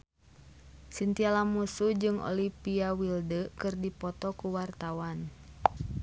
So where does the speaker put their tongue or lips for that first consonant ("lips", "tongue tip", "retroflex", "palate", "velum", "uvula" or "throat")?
tongue tip